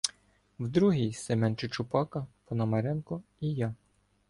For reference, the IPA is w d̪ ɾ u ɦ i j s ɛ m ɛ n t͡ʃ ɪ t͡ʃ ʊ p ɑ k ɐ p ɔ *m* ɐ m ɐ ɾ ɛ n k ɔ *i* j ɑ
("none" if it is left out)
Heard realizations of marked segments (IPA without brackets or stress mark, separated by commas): n, i